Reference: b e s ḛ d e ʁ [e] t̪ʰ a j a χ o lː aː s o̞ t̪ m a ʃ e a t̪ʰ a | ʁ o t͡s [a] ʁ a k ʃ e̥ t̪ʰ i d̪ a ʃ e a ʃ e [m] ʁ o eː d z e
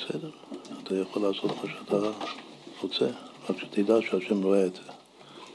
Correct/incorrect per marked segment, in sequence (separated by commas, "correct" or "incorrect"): incorrect, incorrect, correct